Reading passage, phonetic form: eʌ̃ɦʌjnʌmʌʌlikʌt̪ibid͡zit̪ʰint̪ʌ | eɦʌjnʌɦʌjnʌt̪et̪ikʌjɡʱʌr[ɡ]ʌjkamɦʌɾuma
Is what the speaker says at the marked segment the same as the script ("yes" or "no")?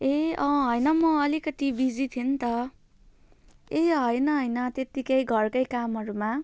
no